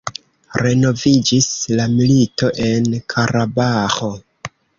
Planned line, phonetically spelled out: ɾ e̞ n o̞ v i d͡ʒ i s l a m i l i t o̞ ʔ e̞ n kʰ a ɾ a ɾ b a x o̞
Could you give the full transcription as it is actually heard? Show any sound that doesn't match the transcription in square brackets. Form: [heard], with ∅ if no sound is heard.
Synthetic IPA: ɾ e̞ n o̞ v i d͡ʒ i s l a m i l i t o̞ ʔ e̞ n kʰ a ɾ a [∅] b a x o̞